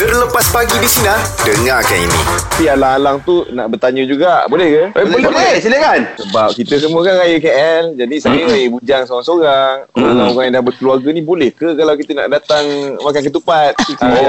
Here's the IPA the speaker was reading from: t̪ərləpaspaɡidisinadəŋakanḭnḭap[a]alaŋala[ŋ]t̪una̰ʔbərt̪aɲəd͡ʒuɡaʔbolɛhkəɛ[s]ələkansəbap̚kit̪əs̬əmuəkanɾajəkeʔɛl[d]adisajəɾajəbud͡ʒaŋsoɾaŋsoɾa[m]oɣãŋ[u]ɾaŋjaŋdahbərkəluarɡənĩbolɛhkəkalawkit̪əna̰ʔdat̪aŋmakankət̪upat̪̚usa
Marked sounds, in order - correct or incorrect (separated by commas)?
incorrect, correct, correct, incorrect, incorrect, incorrect